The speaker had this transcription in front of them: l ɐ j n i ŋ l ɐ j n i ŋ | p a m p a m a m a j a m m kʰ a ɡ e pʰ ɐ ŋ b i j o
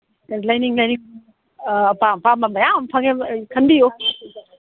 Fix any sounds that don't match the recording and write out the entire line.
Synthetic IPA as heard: l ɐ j n i ŋ l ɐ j n i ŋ | p a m p a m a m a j a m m pʰ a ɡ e kʰ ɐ n b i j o